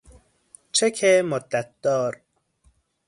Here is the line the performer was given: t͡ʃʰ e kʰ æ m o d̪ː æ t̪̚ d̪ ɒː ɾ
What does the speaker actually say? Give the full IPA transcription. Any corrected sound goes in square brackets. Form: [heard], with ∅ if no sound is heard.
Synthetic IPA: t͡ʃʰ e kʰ [e] m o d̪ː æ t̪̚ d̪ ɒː ɾ